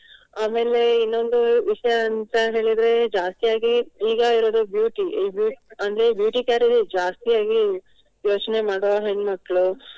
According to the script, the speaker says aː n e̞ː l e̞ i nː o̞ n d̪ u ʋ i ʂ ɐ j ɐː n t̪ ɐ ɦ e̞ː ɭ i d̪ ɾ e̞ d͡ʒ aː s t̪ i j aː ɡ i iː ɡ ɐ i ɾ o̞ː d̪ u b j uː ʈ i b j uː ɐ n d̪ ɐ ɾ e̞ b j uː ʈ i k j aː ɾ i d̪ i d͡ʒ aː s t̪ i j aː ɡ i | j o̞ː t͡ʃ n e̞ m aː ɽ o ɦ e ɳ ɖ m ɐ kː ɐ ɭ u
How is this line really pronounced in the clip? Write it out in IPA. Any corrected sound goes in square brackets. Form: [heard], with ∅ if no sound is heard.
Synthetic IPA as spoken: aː [m] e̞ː l e̞ i nː o̞ n d̪ u ʋ i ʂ ɐ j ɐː n t̪ ɐ ɦ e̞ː ɭ i d̪ ɾ e̞ d͡ʒ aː s t̪ i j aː ɡ i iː ɡ ɐ i ɾ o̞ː d̪ u b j uː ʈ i b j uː ɐ n d̪ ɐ ɾ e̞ b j uː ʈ i k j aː ɾ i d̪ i d͡ʒ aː s t̪ i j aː ɡ i | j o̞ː t͡ʃ n e̞ m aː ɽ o ɦ e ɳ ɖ m ɐ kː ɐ ɭ u